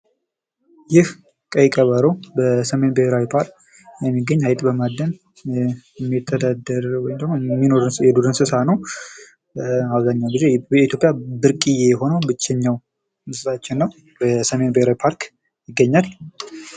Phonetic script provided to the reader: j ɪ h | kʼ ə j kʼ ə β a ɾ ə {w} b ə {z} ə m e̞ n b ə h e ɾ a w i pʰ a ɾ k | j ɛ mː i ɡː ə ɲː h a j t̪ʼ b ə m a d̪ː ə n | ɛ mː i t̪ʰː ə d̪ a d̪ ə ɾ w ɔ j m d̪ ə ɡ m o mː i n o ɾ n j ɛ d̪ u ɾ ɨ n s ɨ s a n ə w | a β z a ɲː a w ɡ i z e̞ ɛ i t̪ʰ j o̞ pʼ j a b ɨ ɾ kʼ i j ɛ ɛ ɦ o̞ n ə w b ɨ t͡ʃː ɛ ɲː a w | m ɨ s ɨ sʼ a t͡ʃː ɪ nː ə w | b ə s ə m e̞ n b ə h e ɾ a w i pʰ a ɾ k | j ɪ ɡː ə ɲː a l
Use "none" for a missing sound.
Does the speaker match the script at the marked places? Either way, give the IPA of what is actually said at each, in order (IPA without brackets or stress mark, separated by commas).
w, s